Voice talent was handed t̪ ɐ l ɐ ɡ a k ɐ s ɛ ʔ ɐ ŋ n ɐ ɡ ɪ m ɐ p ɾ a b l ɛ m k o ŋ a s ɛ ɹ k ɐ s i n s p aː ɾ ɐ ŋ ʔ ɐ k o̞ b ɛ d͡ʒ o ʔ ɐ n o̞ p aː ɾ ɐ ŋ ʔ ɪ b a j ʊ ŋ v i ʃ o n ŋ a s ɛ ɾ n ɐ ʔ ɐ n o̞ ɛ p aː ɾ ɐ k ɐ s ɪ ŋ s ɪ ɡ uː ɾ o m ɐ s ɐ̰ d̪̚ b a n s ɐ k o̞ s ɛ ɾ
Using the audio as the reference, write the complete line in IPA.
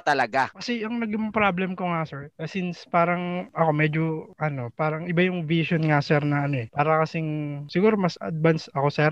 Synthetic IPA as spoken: t̪ ɐ l ɐ ɡ a k ɐ s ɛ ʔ ɐ ŋ n ɐ ɡ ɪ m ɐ p ɾ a b l ɛ m k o ŋ a s ɛ ɹ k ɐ s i n s p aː ɾ ɐ ŋ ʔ ɐ k o̞ m ɛ d͡ʒ o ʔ ɐ n o̞ p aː ɾ ɐ ŋ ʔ ɪ b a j ʊ ŋ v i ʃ o n ŋ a s ɛ ɾ n ɐ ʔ ɐ n o̞ ɛ p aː ɾ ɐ k ɐ s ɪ ŋ s ɪ ɡ uː ɾ o m ɐ s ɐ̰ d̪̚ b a n s ɐ k o̞ s ɛ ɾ